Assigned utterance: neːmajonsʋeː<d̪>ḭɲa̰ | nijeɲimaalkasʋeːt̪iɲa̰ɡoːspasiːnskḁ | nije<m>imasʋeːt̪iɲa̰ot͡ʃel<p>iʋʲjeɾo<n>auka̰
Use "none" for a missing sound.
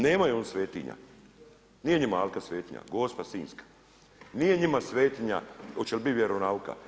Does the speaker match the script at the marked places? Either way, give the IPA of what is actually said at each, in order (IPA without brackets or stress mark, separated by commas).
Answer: t̪, ɲ, b, n